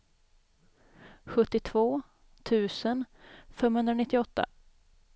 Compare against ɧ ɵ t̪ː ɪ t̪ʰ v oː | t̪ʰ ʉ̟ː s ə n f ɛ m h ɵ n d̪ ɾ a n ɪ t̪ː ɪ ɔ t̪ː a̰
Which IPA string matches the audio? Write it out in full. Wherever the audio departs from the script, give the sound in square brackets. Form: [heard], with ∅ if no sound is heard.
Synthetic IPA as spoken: ɧ ɵ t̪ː ɪ t̪ʰ v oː | t̪ʰ ʉ̟ː s ə n f ɛ m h ɵ n d̪ ɾ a n ɪ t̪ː ɪ ɔ t̪ː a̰